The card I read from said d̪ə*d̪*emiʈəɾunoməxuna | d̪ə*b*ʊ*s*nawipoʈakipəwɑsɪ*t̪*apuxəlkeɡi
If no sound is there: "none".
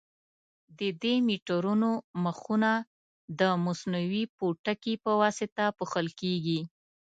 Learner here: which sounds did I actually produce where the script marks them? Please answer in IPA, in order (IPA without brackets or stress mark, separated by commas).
d̪, m, s, t̪